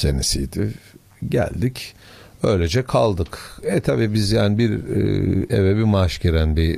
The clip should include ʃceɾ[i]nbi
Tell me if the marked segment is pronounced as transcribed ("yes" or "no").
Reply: no